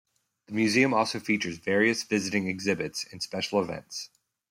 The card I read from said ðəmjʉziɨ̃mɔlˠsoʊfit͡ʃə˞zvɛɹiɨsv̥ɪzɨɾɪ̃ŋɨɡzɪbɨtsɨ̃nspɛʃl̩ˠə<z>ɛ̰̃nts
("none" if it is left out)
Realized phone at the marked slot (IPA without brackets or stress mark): v